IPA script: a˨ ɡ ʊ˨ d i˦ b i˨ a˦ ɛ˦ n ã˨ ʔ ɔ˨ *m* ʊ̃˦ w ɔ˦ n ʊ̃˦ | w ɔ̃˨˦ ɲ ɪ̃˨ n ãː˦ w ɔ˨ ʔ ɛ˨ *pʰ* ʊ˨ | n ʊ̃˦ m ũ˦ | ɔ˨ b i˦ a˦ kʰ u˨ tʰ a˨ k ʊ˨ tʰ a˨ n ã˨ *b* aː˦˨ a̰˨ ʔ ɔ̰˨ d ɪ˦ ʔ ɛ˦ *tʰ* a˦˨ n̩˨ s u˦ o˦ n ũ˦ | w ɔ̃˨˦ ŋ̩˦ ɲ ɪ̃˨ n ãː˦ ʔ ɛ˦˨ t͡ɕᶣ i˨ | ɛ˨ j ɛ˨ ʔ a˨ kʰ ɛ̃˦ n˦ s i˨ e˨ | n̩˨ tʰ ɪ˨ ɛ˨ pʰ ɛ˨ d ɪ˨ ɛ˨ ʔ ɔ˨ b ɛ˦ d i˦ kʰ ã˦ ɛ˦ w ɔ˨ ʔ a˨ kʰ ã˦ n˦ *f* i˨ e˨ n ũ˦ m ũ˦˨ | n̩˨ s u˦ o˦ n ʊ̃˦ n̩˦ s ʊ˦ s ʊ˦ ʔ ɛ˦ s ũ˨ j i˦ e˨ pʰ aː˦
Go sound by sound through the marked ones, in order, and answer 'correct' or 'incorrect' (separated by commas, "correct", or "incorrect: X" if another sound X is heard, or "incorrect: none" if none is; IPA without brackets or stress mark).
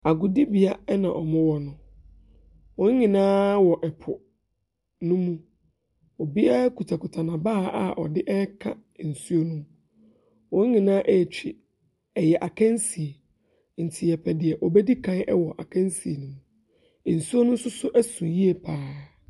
correct, correct, correct, incorrect: kʰ, incorrect: s